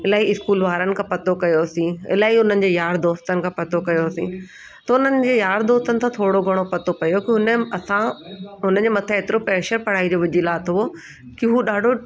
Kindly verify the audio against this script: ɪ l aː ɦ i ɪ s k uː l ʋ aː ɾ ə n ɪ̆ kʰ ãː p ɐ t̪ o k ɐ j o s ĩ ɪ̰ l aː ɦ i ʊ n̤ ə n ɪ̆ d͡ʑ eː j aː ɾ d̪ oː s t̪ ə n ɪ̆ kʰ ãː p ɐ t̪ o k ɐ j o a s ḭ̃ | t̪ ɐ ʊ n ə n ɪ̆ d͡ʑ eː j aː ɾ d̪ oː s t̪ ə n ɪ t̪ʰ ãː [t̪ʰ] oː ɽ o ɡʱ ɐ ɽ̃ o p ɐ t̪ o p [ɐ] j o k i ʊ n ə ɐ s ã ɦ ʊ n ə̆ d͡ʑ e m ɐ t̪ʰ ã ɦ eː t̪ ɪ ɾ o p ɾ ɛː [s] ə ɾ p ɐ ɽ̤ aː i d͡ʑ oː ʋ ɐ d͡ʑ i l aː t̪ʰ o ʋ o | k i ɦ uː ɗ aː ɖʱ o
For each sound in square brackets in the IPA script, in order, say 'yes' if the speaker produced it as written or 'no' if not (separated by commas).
yes, yes, no